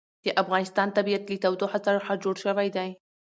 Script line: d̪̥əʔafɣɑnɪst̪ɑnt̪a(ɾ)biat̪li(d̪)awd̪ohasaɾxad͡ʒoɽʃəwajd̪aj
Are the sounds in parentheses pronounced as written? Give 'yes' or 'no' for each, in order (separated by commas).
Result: no, no